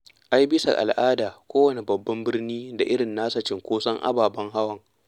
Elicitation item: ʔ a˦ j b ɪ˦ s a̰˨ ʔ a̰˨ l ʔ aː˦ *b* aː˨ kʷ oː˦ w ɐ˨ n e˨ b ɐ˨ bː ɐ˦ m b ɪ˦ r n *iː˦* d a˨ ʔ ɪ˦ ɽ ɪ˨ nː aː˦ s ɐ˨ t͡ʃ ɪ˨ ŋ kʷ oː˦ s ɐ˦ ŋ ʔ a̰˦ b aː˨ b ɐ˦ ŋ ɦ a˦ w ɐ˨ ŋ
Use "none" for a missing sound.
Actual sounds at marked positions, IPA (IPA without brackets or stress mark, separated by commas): d, iː˦